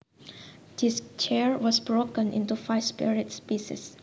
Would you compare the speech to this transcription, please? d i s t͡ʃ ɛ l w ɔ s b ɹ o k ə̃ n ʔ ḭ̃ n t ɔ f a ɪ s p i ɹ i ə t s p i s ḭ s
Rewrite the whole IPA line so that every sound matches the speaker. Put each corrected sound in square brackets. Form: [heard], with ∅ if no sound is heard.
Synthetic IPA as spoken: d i s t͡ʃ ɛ [ɹ] w ɔ s b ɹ o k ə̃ n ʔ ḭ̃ n t [u] f a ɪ s p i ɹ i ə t s p i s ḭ s